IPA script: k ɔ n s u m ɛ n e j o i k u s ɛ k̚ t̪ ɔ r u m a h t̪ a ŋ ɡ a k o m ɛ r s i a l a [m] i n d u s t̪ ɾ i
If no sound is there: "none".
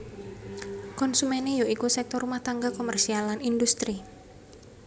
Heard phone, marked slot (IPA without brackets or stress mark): n